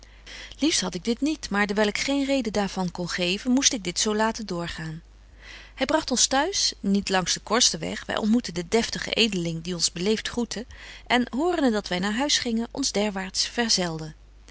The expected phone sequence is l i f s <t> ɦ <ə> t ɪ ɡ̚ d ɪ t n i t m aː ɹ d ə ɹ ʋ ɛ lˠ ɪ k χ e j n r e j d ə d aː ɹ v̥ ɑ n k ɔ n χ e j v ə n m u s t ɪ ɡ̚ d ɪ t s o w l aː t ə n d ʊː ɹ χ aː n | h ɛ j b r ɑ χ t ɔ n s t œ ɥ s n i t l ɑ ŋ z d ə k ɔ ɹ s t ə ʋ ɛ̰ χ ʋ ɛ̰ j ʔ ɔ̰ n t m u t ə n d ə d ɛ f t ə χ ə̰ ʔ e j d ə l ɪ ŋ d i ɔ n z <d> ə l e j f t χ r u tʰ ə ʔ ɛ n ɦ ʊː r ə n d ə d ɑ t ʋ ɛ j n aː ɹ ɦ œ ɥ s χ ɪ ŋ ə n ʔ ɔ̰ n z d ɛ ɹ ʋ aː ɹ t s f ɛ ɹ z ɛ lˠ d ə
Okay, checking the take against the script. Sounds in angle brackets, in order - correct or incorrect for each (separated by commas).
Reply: correct, incorrect, incorrect